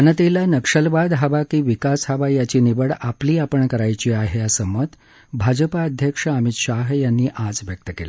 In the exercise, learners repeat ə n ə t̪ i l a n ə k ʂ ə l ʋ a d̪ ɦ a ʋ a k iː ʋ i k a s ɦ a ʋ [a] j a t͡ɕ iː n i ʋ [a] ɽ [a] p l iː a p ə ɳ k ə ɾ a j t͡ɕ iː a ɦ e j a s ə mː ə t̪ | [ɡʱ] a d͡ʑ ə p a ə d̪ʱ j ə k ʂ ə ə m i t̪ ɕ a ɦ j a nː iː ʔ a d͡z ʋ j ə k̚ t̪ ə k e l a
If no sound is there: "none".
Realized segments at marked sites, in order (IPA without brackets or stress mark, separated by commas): a, ə, a, bʱ